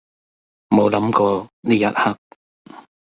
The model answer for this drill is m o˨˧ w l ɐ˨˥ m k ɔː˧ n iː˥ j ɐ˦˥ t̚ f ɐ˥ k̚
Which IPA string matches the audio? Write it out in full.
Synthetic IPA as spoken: m o˨˧ w l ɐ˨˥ m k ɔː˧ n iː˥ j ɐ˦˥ t̚ h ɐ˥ k̚